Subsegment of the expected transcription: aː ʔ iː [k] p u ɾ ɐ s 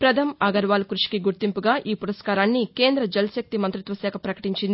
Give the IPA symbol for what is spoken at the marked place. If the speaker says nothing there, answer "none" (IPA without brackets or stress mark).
none